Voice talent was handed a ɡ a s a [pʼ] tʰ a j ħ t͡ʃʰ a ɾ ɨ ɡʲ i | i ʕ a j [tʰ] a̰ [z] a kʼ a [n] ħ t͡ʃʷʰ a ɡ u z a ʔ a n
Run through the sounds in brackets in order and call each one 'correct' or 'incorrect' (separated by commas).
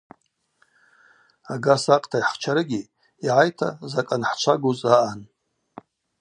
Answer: incorrect, correct, correct, correct